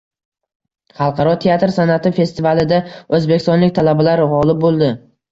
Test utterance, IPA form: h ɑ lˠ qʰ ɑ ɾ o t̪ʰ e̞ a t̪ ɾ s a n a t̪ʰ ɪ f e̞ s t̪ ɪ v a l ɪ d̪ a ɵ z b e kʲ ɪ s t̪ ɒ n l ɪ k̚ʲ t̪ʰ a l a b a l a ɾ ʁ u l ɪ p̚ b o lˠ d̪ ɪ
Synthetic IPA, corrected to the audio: χ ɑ lˠ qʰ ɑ ɾ ɒ t̪ʰ e̞ a t̪ ɾ s a n a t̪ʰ ɪ f e̞ s t̪ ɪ v a l ɪ d̪ a ɵ z b e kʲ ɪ s t̪ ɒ n l ɪ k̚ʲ t̪ʰ a l a b a l a ɾ ʁ ɒ l ɪ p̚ b o lˠ d̪ ɪ